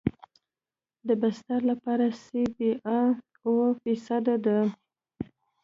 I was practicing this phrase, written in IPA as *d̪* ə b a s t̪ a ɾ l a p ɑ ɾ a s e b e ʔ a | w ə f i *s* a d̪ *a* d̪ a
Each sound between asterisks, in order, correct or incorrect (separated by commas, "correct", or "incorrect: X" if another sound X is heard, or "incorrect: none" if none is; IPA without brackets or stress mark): correct, correct, correct